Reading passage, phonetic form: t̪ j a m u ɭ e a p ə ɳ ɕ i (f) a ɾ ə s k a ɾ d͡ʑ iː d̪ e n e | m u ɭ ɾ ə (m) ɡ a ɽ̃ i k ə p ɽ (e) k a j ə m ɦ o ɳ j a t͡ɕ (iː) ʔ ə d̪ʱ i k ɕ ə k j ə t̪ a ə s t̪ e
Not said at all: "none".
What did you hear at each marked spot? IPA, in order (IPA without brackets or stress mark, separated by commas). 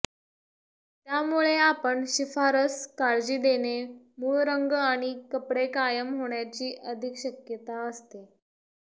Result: f, ŋ, e, iː